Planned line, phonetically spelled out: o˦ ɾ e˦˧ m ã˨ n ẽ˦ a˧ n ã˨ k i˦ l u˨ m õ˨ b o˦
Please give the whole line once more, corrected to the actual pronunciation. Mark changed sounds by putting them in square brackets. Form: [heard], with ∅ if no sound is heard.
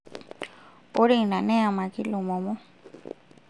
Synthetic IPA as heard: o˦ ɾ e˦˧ [n] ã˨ n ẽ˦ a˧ [m] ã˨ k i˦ l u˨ m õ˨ [m] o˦